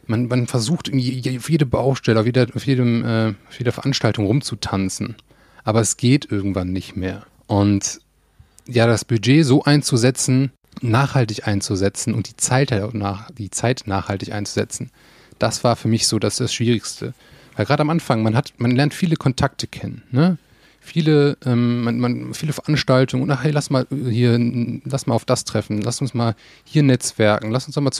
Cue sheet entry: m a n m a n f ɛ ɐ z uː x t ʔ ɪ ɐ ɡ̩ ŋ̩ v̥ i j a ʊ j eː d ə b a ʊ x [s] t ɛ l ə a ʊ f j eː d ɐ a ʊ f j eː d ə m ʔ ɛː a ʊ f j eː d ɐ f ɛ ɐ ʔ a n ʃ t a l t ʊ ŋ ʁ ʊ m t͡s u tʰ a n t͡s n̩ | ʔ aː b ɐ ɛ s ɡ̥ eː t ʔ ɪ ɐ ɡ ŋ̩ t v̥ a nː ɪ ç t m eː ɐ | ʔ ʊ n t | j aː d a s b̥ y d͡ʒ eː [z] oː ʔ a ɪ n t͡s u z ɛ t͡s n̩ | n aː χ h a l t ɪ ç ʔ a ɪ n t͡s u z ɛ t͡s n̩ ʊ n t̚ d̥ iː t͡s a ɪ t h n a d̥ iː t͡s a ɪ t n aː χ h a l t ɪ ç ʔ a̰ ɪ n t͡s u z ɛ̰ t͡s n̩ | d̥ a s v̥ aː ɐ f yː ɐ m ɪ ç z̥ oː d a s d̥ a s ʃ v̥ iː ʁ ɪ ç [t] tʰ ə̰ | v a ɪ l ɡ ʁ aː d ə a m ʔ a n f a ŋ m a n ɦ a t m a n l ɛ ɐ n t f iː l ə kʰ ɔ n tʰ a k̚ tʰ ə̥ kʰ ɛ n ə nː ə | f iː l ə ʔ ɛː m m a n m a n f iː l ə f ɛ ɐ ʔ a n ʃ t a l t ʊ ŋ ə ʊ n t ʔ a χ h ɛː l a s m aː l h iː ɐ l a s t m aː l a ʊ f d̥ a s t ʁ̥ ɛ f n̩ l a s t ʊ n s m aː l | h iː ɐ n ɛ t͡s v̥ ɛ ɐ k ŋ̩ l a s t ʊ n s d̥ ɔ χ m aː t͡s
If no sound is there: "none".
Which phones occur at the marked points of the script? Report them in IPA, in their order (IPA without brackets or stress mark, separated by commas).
ʃ, z, s